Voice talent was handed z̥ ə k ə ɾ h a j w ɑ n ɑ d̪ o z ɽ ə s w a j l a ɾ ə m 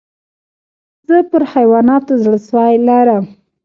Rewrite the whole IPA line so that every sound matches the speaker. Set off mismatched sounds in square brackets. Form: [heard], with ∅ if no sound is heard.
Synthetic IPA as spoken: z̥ ə [p] ə ɾ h a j w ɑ n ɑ [t̪] o z ɽ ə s w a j l a ɾ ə m